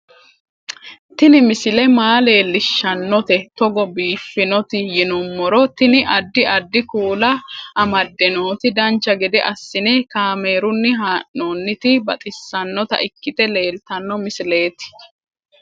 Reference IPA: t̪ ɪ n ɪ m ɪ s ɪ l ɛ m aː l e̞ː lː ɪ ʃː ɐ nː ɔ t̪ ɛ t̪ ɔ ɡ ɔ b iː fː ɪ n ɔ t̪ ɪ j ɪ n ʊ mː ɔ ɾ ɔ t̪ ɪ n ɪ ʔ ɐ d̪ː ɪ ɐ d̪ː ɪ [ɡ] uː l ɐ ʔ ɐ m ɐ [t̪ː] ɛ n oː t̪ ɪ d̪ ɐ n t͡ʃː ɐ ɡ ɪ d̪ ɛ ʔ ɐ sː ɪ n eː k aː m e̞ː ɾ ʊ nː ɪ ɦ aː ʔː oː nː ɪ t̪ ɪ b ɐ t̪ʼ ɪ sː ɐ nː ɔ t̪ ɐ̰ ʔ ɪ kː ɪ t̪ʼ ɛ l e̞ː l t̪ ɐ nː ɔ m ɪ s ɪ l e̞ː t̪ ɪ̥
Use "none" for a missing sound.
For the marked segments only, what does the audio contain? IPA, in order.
k, d̪ː

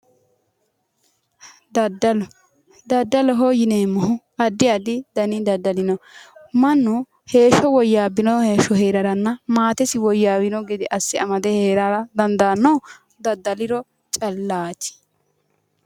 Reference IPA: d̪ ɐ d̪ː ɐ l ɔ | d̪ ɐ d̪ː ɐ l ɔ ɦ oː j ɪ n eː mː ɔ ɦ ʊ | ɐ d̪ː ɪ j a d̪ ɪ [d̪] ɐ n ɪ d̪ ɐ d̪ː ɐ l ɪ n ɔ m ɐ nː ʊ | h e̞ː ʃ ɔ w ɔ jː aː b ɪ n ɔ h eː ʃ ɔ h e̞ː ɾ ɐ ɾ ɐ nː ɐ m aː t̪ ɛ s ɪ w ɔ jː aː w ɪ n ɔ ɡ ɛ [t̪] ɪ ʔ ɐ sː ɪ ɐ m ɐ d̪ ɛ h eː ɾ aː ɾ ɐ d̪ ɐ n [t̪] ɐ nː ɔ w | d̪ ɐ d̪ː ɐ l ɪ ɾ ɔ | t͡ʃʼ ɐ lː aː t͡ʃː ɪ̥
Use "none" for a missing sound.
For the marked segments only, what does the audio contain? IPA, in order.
d̪, d̪, d̪

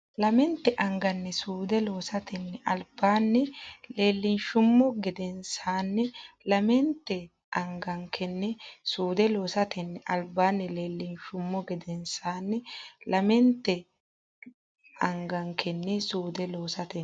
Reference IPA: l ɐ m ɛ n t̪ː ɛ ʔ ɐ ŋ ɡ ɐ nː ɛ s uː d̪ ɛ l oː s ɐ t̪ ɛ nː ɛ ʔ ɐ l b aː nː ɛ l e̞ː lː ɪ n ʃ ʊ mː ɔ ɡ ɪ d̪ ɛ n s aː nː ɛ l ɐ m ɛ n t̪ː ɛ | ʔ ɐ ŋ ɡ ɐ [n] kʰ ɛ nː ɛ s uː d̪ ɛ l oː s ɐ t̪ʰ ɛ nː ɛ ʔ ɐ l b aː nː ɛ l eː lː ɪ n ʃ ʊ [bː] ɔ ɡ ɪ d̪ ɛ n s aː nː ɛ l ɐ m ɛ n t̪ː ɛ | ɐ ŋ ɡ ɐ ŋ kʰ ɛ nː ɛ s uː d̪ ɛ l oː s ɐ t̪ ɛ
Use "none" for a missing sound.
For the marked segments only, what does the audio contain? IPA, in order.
ŋ, mː

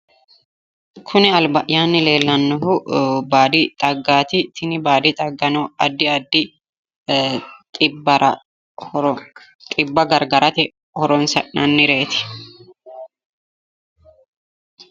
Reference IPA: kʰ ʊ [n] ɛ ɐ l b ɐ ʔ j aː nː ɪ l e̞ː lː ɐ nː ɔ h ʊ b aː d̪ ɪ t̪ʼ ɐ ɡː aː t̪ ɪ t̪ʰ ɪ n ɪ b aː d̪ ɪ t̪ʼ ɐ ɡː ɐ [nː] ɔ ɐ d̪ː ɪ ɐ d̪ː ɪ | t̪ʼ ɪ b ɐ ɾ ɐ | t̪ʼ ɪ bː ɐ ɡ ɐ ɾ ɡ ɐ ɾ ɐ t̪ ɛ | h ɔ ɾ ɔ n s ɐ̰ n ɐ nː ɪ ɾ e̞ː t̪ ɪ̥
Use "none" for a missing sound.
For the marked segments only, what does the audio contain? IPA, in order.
n, n

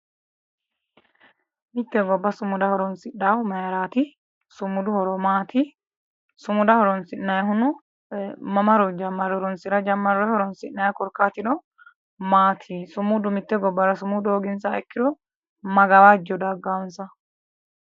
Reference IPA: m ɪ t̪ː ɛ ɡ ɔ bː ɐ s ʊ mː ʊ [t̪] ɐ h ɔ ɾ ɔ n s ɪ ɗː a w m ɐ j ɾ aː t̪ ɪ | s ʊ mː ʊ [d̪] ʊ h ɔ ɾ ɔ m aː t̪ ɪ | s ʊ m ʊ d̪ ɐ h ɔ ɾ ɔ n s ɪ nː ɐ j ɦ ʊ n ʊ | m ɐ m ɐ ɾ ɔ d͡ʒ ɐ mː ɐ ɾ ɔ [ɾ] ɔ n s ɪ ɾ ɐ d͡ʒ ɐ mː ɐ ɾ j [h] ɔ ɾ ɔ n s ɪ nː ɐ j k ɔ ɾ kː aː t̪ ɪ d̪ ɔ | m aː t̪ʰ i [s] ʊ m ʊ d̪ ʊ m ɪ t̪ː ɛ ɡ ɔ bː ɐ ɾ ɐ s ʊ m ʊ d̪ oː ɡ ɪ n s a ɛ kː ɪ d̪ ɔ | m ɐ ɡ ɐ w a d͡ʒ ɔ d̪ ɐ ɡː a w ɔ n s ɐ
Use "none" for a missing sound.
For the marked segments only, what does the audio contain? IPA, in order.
d̪, d̪, ɾ, h, s

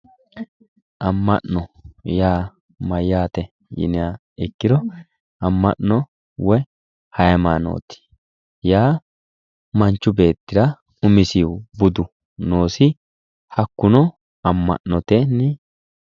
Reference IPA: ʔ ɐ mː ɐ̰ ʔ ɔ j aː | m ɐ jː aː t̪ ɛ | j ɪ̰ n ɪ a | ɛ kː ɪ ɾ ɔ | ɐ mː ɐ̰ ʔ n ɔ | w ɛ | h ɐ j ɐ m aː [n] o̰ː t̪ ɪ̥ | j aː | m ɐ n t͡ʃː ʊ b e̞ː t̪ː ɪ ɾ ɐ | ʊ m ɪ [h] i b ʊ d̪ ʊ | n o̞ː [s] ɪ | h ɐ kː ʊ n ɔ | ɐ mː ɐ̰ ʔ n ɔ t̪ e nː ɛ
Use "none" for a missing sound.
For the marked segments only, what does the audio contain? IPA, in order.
n, s, s

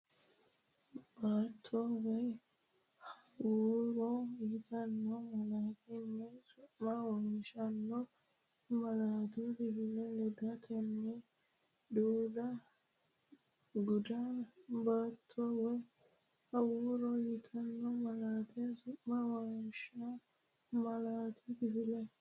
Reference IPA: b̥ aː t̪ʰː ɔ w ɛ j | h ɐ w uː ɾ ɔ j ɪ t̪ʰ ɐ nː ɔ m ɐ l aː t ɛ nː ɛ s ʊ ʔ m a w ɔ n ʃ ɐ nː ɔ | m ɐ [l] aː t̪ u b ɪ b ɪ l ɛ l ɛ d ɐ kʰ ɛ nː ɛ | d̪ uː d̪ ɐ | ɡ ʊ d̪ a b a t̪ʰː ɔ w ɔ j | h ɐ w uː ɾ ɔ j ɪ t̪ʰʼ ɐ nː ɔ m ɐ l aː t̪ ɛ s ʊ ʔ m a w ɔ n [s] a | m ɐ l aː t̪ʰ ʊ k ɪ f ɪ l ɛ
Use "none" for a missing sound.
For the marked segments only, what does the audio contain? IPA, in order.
l, ʃ

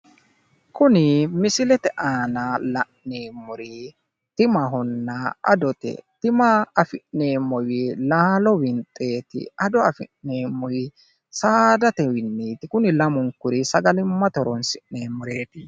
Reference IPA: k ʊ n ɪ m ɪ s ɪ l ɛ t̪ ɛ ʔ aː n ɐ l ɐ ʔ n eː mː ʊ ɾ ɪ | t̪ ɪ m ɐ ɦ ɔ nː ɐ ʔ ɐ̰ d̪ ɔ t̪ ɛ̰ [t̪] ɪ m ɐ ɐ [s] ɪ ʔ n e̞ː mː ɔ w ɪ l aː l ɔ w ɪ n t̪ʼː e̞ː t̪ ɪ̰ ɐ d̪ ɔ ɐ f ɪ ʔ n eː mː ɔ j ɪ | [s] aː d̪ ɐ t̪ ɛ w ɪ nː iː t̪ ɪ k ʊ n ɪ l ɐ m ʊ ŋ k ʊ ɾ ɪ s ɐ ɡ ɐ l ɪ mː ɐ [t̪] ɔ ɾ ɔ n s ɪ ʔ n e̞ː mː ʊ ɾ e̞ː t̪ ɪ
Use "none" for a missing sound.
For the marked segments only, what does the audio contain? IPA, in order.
t̪, f, s, t̪

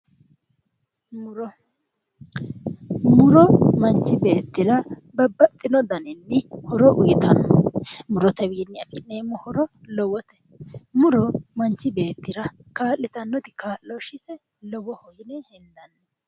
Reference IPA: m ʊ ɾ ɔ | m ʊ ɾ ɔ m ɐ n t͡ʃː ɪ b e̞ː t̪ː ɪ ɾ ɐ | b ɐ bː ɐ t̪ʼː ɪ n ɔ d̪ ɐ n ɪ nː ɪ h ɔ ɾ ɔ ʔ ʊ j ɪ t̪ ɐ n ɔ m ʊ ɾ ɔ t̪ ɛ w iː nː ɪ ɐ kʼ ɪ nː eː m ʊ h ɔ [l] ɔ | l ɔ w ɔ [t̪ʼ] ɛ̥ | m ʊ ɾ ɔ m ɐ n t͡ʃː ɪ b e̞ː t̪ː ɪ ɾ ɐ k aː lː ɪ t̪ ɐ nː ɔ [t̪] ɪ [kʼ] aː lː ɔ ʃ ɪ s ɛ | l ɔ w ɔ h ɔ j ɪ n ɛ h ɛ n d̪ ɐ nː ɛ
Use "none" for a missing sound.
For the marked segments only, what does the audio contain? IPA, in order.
ɾ, t̪, t̪, k

